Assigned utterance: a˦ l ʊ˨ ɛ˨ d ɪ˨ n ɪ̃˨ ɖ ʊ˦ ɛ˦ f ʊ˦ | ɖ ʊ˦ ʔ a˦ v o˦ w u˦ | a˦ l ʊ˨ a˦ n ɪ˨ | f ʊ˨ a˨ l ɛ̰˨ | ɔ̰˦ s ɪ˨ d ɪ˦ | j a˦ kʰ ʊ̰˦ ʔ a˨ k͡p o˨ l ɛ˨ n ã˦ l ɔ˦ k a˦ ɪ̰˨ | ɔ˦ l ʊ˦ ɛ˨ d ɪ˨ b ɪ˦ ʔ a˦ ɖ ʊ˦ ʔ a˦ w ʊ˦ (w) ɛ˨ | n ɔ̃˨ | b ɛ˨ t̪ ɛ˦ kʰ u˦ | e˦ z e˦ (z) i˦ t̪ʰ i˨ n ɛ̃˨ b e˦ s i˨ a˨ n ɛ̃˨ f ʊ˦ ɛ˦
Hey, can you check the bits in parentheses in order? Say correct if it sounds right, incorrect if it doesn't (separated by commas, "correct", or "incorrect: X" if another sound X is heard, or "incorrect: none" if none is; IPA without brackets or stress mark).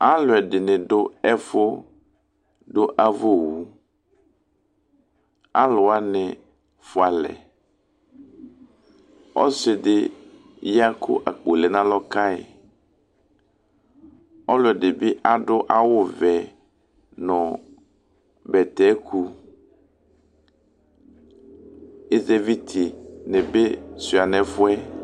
incorrect: v, incorrect: v